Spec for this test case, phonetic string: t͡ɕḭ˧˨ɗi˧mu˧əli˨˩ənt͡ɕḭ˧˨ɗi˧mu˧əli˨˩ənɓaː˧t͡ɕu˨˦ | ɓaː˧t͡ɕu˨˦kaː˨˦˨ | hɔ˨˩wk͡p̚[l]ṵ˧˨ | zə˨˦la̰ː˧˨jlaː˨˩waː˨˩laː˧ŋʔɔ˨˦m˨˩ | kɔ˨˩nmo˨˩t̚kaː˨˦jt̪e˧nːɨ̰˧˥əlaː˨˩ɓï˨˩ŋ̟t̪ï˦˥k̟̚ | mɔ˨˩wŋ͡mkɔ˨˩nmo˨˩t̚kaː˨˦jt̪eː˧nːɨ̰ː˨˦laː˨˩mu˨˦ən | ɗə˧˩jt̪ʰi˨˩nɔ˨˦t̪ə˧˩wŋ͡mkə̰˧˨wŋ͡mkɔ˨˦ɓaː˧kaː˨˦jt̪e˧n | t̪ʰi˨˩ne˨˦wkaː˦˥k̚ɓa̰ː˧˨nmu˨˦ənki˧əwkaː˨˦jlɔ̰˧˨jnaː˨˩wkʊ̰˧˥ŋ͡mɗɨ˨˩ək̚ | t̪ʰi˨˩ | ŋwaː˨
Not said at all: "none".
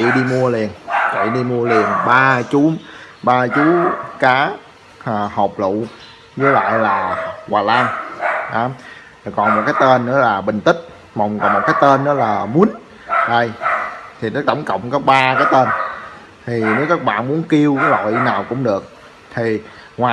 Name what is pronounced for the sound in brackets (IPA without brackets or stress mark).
l